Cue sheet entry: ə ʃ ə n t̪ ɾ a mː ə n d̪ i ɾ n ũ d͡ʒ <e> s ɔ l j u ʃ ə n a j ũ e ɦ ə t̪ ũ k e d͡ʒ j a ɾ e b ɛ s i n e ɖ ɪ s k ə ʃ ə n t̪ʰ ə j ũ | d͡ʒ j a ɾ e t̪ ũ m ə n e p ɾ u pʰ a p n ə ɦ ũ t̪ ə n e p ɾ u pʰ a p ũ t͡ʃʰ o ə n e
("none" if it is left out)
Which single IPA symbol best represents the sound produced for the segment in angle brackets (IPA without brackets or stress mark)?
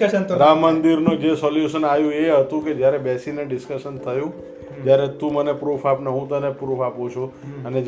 e